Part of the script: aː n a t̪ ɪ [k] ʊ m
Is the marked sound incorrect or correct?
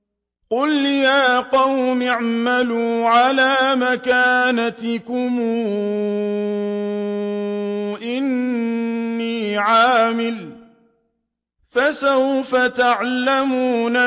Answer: correct